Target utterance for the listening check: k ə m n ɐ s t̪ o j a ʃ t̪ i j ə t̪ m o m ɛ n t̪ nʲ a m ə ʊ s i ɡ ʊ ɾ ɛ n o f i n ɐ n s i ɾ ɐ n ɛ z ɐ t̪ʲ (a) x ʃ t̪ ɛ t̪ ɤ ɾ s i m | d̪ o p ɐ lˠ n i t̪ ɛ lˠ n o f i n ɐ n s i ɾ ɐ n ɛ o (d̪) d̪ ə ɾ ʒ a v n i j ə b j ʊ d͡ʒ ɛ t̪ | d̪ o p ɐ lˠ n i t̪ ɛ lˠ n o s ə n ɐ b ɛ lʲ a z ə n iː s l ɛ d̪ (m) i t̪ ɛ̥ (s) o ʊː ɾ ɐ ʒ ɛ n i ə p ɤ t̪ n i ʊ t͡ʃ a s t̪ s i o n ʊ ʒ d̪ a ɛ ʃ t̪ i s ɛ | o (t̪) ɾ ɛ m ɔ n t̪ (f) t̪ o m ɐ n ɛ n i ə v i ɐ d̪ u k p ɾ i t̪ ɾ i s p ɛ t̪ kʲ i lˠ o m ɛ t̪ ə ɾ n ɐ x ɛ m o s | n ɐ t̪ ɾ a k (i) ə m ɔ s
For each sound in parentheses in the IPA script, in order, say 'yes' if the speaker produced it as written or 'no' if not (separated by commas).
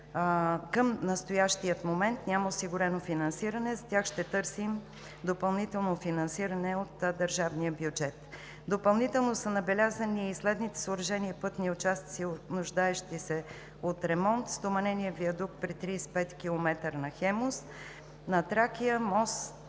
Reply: yes, no, no, yes, yes, no, yes